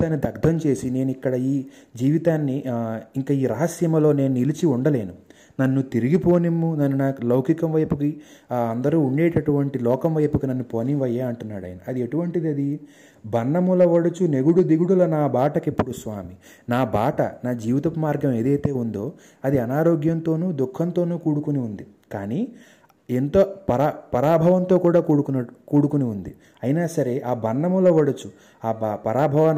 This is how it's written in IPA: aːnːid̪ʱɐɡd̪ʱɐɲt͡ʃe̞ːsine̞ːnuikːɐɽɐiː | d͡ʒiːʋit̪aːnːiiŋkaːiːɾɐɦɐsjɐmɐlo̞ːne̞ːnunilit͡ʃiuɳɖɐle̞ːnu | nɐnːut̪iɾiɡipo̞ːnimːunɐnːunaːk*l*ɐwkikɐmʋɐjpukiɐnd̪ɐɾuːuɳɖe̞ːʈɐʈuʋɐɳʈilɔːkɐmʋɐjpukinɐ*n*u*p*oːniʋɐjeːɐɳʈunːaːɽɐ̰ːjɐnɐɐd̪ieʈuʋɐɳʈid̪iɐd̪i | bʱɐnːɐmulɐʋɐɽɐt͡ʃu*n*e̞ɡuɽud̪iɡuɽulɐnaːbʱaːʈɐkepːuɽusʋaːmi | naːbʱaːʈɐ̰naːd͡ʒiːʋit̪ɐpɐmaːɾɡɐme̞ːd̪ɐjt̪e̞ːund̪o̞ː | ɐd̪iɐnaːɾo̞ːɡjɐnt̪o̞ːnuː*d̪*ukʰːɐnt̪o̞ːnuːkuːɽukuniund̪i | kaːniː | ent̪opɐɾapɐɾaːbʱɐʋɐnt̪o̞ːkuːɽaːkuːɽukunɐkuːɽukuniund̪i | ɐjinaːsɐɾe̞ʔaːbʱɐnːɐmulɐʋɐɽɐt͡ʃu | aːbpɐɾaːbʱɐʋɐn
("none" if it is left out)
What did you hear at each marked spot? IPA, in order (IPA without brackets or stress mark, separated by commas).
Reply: l, nː, p, n, d̪